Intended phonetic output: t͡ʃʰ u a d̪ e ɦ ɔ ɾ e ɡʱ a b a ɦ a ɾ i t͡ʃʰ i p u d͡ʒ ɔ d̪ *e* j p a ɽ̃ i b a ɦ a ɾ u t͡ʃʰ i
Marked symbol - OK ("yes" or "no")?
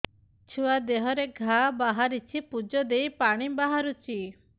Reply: yes